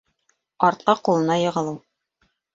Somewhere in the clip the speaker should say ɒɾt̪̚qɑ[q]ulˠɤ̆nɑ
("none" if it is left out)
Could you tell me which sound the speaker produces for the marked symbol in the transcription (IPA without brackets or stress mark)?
q